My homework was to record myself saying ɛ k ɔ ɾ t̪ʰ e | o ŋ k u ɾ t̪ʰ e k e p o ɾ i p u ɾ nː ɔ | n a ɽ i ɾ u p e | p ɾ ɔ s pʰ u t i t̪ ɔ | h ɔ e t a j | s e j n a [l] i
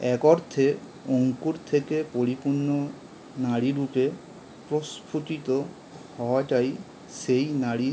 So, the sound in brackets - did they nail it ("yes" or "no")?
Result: no